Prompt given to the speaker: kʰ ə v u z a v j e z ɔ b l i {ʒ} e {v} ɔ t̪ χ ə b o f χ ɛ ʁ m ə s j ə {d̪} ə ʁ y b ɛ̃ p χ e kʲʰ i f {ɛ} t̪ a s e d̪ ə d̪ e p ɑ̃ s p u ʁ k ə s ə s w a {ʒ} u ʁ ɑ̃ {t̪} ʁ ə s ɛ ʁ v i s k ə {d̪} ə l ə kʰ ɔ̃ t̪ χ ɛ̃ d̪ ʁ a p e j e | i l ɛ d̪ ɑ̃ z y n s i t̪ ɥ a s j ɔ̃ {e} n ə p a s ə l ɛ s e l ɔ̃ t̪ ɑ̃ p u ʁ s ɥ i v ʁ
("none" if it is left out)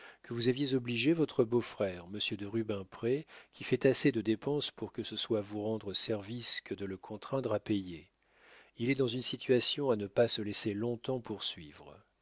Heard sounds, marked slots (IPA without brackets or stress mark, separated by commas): ʒ, v, d̪, ɛ, v, d̪, d̪, a